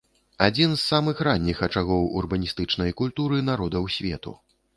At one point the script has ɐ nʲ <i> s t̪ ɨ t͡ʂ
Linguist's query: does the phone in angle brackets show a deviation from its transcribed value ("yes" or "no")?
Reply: no